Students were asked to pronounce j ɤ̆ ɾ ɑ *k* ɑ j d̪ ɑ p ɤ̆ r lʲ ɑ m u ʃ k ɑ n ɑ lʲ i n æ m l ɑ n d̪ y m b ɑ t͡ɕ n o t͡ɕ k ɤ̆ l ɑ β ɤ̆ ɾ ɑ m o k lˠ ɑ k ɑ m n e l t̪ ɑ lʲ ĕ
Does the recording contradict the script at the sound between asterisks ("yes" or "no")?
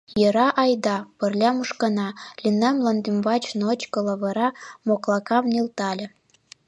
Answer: yes